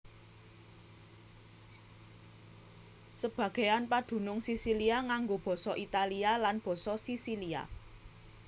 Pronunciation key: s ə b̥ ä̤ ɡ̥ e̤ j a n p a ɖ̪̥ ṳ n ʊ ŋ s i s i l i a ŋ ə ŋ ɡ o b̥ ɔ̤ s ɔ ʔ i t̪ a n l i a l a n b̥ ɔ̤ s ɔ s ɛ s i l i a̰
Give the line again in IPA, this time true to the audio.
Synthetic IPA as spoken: s ə b̥ ä̤ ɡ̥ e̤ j a n p a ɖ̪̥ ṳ n ʊ ŋ s i s i l i a ŋ a ŋ ɡ o b̥ ɔ̤ s ɔ ʔ i t̪ a l i a l a n b̥ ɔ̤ s ɔ s i s i l i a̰